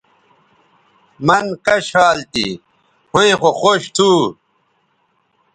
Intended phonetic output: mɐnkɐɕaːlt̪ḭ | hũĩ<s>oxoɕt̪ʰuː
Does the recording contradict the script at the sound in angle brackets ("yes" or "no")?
yes